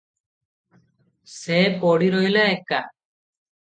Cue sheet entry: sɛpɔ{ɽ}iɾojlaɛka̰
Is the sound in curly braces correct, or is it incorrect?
correct